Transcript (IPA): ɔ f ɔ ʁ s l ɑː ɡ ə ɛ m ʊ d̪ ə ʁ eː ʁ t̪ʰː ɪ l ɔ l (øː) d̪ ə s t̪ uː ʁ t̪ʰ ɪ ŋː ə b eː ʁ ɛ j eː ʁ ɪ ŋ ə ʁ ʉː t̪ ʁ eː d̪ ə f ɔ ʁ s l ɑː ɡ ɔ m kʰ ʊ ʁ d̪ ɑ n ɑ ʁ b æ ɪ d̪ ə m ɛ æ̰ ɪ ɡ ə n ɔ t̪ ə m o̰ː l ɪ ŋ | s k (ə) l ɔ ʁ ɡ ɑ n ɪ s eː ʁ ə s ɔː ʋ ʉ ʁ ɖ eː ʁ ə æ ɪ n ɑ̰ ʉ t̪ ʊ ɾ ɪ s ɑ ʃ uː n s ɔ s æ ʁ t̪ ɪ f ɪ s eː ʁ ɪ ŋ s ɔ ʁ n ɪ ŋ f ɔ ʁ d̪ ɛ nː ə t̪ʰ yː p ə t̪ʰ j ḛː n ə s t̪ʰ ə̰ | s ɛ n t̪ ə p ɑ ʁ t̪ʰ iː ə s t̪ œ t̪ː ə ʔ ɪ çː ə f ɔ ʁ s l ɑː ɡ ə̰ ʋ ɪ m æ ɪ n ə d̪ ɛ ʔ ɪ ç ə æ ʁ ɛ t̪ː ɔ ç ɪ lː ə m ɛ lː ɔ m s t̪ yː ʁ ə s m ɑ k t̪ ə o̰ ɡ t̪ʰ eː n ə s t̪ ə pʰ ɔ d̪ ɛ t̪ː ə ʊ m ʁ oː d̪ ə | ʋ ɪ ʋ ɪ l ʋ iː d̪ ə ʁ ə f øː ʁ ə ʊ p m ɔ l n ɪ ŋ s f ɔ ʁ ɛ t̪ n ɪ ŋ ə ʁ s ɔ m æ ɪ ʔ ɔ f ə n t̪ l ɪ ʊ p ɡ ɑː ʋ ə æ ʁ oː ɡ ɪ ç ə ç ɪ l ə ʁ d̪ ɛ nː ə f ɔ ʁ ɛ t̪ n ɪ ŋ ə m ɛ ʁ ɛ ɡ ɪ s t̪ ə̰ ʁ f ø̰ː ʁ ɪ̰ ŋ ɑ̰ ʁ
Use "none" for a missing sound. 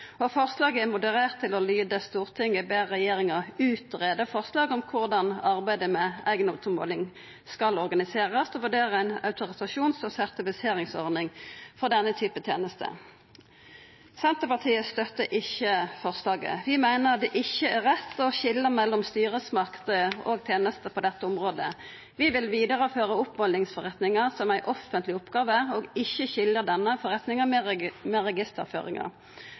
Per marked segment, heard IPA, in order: yː, ɑ

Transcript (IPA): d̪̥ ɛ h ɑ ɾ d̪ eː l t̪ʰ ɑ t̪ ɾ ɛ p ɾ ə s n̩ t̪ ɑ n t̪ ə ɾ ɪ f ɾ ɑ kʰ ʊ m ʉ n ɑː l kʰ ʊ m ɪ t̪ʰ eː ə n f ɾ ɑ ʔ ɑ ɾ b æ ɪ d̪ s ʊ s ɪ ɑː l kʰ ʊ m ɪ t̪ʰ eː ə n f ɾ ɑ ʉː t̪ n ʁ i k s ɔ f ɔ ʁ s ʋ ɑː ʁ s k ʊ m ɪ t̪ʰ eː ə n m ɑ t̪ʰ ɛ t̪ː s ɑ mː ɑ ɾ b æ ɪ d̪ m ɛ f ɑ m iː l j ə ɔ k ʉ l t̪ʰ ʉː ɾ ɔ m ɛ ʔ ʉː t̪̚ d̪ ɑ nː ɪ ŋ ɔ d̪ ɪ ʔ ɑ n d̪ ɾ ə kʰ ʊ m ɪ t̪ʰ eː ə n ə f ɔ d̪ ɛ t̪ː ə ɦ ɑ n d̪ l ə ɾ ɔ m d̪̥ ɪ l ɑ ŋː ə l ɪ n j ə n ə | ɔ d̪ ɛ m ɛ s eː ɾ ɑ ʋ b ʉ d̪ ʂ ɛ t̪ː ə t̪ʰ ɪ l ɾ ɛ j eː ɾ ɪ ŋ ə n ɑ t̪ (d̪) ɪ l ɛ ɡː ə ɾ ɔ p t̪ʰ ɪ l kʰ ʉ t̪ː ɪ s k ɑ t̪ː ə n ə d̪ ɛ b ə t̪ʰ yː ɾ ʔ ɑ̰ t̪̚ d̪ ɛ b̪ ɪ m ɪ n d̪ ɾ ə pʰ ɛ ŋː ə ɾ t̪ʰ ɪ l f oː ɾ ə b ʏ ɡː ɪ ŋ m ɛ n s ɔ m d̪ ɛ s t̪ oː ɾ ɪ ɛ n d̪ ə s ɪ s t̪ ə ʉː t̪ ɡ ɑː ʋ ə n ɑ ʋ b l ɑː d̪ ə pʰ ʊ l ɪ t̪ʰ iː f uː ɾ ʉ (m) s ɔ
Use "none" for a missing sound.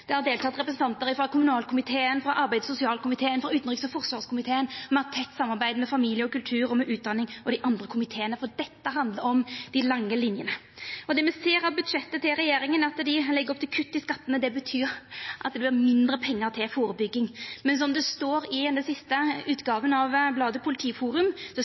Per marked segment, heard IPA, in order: d̪, m

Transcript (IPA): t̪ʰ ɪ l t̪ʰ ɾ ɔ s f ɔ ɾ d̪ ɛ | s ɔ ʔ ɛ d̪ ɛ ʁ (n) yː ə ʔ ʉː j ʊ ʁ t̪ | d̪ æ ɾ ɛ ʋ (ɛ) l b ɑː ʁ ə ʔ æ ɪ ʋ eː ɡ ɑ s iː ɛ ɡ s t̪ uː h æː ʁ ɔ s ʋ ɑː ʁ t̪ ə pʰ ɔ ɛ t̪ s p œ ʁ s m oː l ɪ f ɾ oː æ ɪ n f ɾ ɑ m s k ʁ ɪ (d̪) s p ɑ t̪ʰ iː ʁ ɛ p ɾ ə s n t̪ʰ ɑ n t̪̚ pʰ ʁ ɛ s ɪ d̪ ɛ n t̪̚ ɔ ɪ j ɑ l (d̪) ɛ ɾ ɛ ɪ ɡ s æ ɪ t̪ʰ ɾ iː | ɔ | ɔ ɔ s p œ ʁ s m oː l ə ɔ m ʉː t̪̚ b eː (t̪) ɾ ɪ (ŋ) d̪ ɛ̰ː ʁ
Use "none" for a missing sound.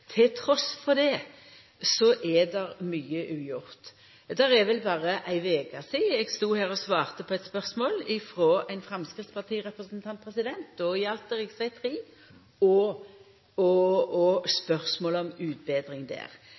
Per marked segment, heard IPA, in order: m, ɛ, t̪, t̪, d̪, ŋ

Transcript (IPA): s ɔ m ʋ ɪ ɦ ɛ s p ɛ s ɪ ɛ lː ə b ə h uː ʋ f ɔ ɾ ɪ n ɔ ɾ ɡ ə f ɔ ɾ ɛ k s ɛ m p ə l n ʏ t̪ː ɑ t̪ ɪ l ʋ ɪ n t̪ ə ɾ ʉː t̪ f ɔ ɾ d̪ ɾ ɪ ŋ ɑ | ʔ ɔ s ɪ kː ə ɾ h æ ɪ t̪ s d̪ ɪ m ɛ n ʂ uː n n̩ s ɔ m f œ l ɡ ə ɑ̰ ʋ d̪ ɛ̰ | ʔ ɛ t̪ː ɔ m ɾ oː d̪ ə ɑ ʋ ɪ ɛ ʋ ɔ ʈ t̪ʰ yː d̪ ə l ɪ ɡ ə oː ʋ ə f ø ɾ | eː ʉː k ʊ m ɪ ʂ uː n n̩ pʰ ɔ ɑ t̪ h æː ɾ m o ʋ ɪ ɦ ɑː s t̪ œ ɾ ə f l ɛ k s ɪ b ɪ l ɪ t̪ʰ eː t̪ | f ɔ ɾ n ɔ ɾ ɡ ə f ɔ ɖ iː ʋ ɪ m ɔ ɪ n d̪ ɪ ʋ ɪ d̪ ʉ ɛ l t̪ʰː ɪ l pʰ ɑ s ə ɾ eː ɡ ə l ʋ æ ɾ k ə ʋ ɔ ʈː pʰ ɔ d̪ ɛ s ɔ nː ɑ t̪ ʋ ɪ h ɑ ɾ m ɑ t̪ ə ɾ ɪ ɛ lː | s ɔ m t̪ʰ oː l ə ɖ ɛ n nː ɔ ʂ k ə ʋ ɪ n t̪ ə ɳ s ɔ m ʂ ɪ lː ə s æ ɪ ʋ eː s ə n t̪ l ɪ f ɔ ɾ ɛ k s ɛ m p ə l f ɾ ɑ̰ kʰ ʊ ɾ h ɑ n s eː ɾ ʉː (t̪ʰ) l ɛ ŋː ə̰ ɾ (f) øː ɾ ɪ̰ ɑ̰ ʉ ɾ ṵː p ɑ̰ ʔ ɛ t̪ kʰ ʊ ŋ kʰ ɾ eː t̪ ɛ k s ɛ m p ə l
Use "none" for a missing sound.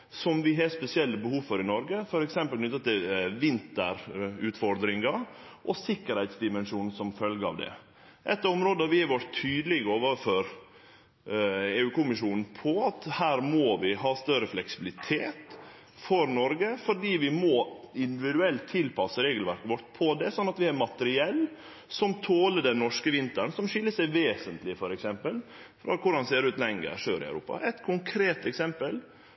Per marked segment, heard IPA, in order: t̪, ʂ

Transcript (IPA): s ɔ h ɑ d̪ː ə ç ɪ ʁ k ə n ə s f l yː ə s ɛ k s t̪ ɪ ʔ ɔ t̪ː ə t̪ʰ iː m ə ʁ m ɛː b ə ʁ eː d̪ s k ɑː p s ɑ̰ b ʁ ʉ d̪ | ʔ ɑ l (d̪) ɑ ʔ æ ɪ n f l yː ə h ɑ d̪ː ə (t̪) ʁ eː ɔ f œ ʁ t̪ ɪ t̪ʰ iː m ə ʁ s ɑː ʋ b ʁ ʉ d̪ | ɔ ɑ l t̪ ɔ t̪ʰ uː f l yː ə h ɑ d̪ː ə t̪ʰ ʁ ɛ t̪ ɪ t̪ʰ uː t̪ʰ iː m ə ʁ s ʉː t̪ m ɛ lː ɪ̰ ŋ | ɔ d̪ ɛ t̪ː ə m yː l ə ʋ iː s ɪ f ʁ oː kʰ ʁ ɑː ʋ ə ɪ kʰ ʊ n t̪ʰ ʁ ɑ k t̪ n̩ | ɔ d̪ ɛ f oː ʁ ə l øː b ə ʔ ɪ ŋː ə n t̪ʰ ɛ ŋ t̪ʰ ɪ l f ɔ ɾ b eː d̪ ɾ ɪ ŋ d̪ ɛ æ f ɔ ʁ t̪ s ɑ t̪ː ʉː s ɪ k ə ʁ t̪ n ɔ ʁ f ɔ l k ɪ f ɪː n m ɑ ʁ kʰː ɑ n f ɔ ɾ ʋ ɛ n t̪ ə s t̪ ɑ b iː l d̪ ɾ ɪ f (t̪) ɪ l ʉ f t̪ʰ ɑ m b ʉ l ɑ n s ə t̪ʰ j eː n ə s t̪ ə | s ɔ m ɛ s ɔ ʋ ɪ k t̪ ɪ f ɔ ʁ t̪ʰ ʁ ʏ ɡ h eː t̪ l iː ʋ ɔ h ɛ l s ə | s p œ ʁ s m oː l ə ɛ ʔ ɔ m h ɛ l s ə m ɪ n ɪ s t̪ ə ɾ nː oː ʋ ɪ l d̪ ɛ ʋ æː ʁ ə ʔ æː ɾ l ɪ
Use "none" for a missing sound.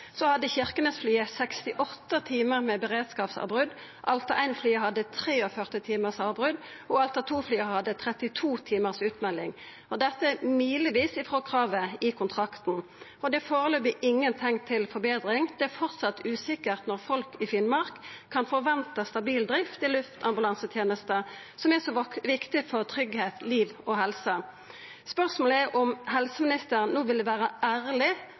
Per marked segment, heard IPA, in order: t̪, t̪ʰ, t̪

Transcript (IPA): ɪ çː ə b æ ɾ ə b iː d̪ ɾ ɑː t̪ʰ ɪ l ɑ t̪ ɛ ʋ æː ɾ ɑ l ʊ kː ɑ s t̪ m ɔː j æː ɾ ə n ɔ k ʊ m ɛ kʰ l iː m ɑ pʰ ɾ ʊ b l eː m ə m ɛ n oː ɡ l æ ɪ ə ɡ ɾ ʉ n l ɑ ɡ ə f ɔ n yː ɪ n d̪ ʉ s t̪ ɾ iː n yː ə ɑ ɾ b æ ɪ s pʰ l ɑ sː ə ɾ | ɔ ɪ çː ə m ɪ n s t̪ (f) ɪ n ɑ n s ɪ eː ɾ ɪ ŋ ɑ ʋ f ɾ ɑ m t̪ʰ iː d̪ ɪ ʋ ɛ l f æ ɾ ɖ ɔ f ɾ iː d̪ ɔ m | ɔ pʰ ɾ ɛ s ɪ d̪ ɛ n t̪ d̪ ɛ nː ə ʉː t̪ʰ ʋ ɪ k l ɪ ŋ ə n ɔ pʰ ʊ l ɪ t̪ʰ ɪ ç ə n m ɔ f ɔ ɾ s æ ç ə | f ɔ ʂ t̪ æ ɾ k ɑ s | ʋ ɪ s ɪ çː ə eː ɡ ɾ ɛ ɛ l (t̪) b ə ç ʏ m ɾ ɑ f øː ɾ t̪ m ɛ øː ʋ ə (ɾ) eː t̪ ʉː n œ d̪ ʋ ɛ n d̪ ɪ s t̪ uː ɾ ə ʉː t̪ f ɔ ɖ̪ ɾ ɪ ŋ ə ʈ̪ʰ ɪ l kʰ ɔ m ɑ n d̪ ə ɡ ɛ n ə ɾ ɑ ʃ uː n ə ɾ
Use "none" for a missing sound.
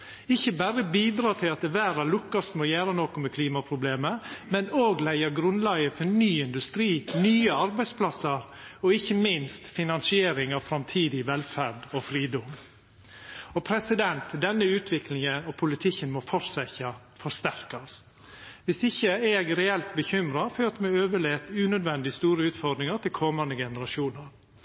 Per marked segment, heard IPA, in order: f, t̪, ɭ

